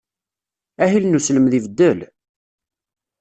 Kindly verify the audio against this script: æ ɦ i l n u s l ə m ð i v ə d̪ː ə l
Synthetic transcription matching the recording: æ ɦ i l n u s l ə m ð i v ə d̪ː ə l